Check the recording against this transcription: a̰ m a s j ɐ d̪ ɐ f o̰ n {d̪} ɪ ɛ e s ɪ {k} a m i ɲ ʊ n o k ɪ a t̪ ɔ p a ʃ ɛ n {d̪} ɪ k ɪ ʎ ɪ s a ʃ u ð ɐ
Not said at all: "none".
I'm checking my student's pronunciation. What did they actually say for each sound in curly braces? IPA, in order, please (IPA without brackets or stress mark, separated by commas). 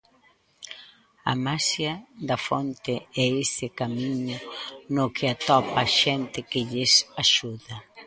t̪, k, t̪